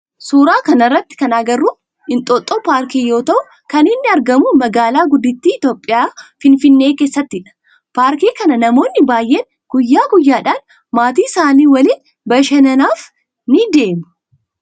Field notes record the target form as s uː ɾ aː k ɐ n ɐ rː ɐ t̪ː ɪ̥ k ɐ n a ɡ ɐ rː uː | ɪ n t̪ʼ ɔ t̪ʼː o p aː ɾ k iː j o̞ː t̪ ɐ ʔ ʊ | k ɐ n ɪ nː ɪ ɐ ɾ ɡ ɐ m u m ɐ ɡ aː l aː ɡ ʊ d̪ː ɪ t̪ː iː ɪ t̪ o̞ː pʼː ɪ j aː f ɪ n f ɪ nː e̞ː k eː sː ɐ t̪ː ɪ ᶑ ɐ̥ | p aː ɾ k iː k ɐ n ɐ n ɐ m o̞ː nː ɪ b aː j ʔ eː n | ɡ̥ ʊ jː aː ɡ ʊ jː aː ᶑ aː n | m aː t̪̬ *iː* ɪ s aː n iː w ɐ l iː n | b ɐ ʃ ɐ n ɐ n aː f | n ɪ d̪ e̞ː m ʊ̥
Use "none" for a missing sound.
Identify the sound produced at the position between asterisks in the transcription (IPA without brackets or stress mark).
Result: iː